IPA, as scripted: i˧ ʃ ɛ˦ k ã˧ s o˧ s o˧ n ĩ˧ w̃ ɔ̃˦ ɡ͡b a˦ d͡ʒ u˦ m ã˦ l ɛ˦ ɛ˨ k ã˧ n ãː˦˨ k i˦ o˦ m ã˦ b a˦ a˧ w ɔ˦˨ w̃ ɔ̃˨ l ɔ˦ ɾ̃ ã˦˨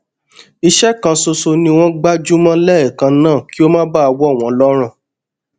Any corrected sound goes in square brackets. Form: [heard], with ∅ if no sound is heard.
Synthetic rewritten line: i˧ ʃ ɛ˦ k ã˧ s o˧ s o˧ n ĩ˧ w̃ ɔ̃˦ ɡ͡b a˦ d͡ʒ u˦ m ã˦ l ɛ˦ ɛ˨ k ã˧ n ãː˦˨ k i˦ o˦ m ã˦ b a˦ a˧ w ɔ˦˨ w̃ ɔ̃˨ l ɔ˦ ɾ̃ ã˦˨